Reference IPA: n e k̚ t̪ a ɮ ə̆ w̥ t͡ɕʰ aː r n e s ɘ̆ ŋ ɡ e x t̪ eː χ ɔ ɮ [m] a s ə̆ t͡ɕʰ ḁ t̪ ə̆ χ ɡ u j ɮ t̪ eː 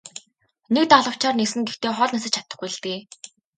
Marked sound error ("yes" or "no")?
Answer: yes